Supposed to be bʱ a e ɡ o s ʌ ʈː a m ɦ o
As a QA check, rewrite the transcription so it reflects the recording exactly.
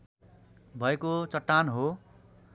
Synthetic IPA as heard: bʱ ʌ e k o t͡s ʌ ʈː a n ɦ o